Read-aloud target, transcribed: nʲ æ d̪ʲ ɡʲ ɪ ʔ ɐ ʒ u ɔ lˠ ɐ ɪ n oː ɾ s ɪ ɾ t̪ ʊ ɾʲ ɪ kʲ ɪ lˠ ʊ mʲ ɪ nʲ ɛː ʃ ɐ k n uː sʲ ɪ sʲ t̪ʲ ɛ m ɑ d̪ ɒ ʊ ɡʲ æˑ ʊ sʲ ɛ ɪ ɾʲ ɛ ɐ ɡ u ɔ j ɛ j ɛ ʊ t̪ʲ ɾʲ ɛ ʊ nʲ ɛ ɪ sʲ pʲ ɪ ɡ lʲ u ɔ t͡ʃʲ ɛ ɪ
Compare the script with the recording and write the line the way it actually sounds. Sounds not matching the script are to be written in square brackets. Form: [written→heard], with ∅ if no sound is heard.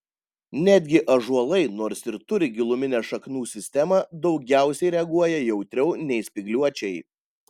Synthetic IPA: nʲ æ d̪ʲ ɡʲ ɪ ʔ ɐ ʒ u ɔ lˠ ɐ ɪ n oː ɾ s ɪ ɾ t̪ ʊ ɾʲ ɪ [kʲ→ɡʲ] ɪ lˠ ʊ mʲ ɪ nʲ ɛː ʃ ɐ k n uː sʲ ɪ sʲ t̪ʲ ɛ m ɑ d̪ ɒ ʊ ɡʲ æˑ ʊ sʲ ɛ ɪ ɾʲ ɛ ɐ ɡ u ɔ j ɛ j ɛ ʊ t̪ʲ ɾʲ ɛ ʊ nʲ ɛ ɪ sʲ pʲ ɪ ɡ lʲ u ɔ t͡ʃʲ ɛ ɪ